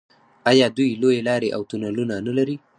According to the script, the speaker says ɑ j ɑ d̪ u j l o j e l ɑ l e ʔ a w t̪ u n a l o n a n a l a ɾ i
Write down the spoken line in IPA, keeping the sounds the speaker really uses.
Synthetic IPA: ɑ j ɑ d̪ u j l o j e l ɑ ɾ e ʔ a w t̪ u n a l u n a n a l a ɾ i